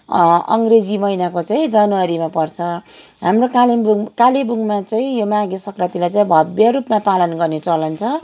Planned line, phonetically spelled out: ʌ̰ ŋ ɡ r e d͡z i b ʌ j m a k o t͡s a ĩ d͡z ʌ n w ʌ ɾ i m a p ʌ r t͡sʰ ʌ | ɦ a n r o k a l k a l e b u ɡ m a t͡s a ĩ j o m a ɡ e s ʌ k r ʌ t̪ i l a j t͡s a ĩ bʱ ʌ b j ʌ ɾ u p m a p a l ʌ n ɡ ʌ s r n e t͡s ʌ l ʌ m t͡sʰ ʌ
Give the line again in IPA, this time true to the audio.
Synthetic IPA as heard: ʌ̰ ŋ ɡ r e d͡z i m ʌ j n a k o t͡s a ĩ d͡z ʌ n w ʌ ɾ i m a p ʌ r t͡sʰ ʌ | ɦ a m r o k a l k a l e b u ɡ m a t͡s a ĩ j o m a ɡ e s ʌ k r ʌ t̪ i l a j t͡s a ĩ bʱ ʌ b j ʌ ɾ u p m a p a l ʌ n ɡ ʌ r n e t͡s ʌ l ʌ n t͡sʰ ʌ